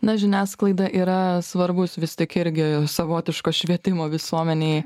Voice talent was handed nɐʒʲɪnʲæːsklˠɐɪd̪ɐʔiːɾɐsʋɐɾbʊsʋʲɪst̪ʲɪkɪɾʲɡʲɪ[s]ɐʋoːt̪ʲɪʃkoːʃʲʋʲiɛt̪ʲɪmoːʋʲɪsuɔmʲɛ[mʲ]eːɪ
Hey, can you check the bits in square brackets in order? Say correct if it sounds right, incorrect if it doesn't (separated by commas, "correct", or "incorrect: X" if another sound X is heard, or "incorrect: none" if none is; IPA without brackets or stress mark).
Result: correct, incorrect: nʲ